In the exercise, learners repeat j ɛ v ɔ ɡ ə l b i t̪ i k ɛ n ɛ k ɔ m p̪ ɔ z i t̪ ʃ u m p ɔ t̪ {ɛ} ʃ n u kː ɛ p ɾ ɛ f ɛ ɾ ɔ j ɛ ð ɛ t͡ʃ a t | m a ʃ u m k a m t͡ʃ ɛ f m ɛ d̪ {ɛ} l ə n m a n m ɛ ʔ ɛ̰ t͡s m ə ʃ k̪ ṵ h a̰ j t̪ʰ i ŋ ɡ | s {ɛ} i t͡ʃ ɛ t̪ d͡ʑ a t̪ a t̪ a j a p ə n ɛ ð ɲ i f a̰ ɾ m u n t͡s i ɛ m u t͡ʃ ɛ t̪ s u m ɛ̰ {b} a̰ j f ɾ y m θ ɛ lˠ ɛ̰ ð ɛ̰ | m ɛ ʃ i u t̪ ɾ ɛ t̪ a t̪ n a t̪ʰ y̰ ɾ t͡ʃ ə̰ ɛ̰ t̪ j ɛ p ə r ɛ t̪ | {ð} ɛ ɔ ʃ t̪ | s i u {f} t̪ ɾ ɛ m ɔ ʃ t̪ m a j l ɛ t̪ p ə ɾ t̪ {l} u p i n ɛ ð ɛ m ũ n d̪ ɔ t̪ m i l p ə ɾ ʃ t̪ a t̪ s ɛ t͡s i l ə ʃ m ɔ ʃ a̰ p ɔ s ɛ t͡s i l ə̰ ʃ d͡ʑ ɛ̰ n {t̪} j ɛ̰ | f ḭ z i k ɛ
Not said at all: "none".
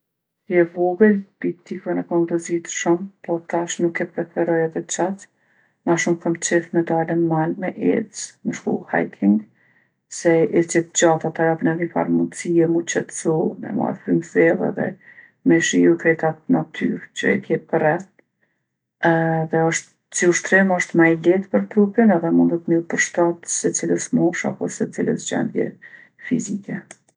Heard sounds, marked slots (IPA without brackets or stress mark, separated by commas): a, a, ɛ, m, ð, ʃ, ɾ, d̪